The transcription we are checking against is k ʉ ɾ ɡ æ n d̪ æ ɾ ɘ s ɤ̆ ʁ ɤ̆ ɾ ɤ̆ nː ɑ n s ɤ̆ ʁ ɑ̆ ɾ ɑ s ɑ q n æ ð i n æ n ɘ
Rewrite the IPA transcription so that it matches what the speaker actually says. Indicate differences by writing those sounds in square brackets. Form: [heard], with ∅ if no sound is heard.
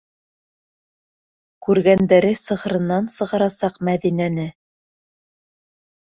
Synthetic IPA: k ʉ ɾ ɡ æ n d̪ æ ɾ ɘ s ɤ̆ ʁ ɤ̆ ɾ ɤ̆ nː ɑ n s ɤ̆ ʁ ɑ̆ ɾ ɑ s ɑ q [m] æ ð i n æ n ɘ